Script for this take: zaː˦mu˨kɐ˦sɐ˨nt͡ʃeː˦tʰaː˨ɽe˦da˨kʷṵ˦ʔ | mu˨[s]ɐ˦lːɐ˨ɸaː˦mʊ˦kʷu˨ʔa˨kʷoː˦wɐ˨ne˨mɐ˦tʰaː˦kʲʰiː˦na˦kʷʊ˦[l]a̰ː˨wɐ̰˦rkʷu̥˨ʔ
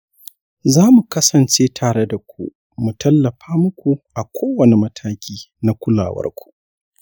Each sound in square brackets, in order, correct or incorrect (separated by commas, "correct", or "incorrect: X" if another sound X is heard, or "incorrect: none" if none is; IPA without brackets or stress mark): incorrect: t, correct